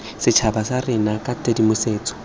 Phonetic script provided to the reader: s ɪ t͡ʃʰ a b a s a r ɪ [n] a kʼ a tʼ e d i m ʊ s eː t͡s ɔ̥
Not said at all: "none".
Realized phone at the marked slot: n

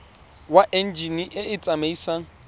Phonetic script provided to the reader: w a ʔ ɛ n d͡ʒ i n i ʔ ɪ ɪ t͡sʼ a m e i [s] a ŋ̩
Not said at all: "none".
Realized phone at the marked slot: s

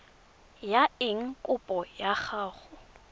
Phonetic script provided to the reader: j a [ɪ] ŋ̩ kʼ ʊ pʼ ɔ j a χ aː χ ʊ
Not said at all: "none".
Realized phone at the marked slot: ɪ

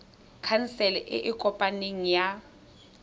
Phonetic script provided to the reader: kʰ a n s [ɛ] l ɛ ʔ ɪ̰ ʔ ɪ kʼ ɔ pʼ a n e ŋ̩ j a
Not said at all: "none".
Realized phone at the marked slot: ɛ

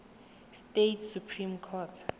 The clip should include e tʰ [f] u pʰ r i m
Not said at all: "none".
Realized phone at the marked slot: s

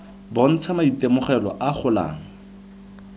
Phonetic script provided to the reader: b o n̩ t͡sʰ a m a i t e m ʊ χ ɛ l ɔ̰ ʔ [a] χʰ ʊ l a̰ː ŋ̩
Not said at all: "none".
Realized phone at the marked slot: a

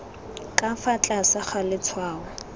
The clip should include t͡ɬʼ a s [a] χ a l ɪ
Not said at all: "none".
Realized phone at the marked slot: a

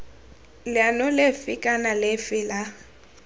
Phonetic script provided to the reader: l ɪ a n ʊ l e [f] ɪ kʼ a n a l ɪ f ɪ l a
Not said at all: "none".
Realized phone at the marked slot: f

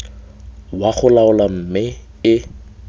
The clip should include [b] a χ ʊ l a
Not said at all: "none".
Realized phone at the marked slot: w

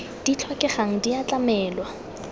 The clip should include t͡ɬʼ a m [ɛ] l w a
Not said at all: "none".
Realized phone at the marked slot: ɛː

